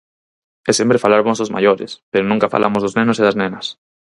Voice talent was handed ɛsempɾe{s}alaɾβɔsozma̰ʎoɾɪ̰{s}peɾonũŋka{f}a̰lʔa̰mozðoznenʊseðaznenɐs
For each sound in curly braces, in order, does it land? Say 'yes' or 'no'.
no, yes, yes

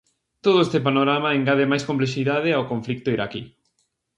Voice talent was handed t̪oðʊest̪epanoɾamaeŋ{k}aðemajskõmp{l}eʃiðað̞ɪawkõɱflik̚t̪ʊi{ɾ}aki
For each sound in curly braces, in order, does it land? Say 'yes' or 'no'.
no, yes, yes

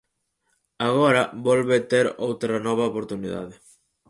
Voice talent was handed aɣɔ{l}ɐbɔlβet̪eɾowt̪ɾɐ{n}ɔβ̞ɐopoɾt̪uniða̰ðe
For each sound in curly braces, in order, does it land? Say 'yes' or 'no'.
no, yes

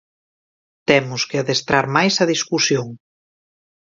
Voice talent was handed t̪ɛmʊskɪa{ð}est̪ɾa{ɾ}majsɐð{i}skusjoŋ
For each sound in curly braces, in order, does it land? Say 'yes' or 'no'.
yes, yes, yes

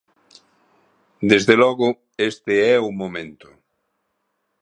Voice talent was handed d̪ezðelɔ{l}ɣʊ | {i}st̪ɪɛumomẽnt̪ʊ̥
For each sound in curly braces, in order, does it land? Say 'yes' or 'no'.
no, no

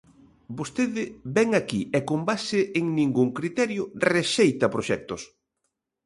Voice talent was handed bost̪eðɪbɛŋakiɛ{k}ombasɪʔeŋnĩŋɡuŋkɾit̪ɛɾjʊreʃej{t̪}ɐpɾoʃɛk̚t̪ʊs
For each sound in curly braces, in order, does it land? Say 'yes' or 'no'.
yes, yes

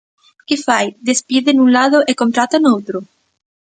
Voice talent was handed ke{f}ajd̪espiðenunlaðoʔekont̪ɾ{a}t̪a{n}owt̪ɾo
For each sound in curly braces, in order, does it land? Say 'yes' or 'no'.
yes, yes, yes

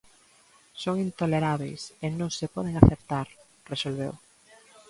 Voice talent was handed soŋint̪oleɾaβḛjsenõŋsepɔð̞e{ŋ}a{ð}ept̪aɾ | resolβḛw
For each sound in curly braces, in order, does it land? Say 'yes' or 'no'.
yes, no

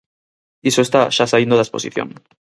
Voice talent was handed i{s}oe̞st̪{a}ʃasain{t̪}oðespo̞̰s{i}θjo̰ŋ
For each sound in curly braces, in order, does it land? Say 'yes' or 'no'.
yes, yes, no, yes

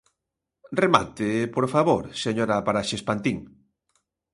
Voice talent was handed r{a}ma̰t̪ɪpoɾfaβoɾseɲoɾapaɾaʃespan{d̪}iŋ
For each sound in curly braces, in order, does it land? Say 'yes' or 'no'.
no, no

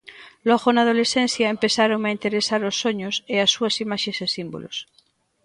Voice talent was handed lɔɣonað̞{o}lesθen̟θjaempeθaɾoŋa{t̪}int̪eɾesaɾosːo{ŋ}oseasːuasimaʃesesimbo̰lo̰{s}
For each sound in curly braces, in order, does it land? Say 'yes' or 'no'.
yes, no, no, yes

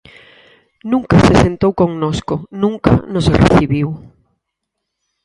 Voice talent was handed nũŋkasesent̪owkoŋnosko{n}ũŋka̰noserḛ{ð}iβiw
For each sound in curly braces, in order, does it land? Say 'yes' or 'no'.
yes, no

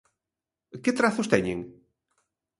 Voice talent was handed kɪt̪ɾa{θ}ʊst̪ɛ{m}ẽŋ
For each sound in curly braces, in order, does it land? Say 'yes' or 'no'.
yes, no

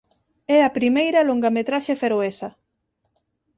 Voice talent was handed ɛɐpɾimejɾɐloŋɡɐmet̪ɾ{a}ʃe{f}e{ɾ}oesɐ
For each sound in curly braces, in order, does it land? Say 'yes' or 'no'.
yes, yes, yes

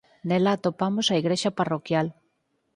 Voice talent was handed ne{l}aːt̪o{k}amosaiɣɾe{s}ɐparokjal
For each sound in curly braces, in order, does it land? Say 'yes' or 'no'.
yes, no, no

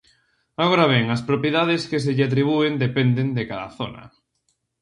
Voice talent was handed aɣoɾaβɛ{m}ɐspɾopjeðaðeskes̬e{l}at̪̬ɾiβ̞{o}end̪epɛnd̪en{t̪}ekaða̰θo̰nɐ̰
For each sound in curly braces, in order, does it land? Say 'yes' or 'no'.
no, no, no, no

